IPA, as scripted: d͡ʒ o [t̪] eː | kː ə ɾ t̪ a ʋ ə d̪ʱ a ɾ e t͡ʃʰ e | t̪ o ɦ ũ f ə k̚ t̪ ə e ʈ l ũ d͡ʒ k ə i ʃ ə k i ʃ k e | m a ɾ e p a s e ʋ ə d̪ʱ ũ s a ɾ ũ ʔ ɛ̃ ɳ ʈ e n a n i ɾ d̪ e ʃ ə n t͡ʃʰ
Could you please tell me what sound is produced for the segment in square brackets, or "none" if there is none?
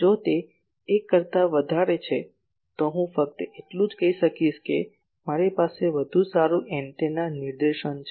t̪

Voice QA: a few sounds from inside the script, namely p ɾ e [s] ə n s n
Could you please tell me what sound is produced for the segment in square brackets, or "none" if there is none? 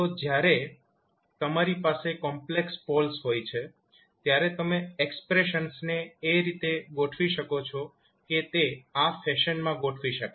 ʃ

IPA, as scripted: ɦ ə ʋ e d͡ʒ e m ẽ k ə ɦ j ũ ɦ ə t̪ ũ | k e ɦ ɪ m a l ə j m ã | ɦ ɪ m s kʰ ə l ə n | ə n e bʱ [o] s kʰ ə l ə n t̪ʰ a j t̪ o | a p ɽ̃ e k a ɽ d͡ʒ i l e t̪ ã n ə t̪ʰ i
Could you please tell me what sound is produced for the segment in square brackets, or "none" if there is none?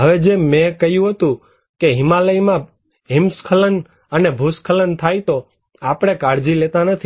u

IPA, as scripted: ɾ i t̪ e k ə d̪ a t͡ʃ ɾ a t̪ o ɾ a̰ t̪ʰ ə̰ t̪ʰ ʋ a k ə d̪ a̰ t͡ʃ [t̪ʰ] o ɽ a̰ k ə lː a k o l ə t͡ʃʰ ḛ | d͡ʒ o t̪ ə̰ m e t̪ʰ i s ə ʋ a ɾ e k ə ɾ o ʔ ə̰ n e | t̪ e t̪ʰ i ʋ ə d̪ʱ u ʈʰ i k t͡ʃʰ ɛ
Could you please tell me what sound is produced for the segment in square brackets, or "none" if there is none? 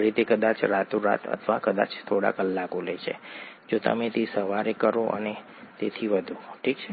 t̪ʰ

